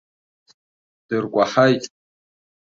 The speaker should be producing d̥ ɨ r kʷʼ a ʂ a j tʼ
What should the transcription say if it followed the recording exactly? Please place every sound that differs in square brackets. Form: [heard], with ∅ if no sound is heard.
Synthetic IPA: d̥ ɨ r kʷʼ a [ħ] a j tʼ